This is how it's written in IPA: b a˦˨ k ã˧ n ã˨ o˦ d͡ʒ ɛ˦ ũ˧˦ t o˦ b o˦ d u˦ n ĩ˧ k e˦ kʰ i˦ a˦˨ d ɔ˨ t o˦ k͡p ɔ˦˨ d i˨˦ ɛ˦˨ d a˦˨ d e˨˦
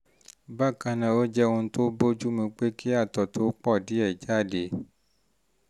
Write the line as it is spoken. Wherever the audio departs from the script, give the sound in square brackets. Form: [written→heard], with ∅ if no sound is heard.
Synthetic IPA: b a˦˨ k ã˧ n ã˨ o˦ d͡ʒ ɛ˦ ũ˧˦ t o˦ b o˦ [d→d͡ʒ] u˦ [n→m] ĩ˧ [k→k͡p] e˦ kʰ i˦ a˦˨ [d→t] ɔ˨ t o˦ k͡p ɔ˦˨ d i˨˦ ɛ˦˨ [d→d͡ʒ] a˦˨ d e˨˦